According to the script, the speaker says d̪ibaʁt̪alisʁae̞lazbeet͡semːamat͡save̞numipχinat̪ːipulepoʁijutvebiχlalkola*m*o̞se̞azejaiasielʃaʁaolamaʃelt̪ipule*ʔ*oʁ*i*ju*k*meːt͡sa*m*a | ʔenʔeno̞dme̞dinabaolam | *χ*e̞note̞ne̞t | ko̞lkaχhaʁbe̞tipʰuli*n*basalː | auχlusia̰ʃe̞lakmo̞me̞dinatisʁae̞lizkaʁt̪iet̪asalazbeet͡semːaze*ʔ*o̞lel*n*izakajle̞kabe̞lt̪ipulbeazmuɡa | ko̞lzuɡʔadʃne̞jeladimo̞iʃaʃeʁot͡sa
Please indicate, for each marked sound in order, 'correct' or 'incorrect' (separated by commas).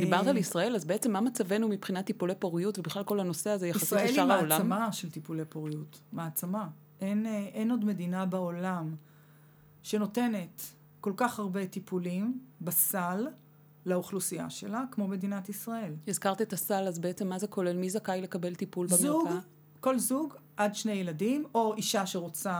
incorrect, incorrect, correct, incorrect, correct, incorrect, incorrect, incorrect, incorrect